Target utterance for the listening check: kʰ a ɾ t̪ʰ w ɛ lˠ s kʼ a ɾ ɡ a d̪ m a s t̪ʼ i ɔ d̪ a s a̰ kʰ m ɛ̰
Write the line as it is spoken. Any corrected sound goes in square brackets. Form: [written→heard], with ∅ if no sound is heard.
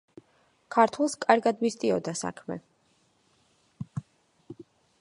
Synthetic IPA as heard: kʰ a ɾ t̪ʰ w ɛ lˠ s kʼ a ɾ ɡ a d̪ m [a→i] s t̪ʼ i ɔ d̪ a s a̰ kʰ m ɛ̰